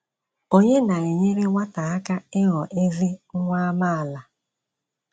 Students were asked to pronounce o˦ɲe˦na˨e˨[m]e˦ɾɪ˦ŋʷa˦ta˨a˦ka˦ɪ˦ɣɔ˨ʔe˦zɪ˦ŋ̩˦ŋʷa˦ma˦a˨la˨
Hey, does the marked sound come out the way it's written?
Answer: no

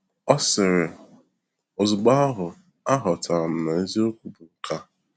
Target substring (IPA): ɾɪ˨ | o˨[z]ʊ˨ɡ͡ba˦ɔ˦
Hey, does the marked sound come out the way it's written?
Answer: yes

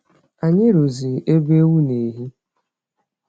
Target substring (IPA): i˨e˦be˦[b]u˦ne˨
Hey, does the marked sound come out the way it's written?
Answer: no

